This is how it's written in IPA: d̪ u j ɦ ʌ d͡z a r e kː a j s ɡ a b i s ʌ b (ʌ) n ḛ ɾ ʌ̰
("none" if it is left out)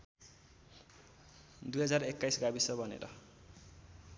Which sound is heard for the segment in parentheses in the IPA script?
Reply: ʌ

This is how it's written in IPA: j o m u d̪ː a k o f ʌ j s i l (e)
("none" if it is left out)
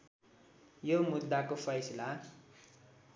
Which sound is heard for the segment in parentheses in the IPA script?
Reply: a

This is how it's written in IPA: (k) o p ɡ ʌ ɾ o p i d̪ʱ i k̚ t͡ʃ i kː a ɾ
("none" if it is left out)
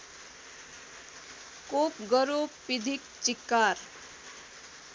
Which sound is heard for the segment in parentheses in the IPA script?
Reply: k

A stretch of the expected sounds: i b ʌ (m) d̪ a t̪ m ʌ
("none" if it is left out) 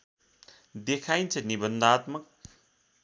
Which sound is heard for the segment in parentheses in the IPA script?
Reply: n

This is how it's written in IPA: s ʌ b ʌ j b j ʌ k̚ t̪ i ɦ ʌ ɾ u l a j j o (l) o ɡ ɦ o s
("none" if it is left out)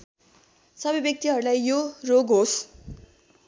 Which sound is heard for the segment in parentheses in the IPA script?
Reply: r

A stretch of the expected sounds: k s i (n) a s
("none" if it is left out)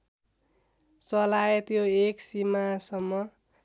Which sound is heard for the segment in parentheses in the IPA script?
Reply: m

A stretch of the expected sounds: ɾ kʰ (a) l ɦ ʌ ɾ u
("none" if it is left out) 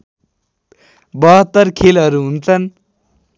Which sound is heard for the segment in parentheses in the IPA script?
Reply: e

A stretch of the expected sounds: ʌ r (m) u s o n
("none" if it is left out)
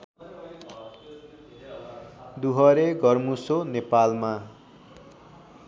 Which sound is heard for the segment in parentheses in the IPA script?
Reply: m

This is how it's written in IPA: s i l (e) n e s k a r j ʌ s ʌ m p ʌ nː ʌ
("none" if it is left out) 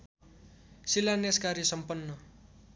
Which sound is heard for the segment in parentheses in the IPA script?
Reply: a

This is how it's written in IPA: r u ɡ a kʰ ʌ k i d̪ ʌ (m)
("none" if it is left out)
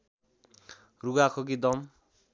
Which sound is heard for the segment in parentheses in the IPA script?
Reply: m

